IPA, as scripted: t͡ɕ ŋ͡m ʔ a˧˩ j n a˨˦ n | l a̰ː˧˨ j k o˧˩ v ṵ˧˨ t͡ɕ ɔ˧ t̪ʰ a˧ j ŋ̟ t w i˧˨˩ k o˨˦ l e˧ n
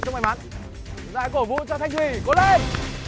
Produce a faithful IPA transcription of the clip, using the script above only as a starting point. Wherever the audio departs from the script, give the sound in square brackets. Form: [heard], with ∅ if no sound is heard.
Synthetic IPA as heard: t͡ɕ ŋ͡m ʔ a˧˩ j [m] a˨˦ n | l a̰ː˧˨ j k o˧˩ v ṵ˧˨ t͡ɕ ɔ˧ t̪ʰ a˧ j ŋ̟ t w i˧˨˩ k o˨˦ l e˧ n